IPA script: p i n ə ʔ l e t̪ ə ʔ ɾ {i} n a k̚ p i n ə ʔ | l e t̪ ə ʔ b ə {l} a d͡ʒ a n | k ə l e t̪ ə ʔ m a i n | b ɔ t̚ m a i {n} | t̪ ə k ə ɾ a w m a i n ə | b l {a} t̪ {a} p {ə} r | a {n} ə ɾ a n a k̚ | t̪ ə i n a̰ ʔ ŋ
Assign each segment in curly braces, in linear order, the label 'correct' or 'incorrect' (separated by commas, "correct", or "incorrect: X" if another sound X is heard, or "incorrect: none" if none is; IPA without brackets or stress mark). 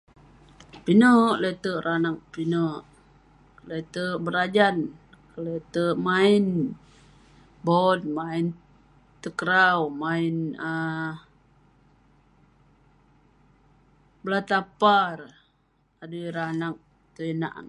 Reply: incorrect: a, incorrect: ɾ, correct, correct, correct, incorrect: a, incorrect: d